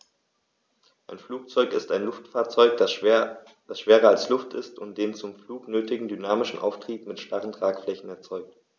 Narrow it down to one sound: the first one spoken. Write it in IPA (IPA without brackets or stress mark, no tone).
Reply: ʔ